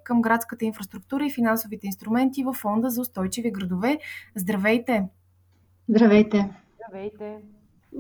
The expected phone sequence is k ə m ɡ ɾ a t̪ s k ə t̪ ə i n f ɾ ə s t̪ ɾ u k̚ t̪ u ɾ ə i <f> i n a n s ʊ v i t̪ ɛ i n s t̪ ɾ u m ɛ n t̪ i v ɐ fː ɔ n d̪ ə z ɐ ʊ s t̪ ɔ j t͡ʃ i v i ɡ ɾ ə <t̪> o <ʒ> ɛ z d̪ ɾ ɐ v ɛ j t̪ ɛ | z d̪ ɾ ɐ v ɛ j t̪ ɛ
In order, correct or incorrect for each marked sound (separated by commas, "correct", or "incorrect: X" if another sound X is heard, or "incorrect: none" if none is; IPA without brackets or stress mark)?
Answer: correct, incorrect: d̪, incorrect: v